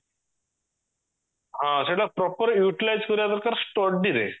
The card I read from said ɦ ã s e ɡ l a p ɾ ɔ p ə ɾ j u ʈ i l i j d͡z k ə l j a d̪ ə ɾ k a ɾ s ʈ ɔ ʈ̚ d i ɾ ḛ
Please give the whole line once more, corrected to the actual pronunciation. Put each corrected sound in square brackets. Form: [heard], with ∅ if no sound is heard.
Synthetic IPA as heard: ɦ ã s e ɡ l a p ɾ ɔ p ə ɾ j u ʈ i l [a] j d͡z k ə [ɾ] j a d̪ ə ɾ k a ɾ s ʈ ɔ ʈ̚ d i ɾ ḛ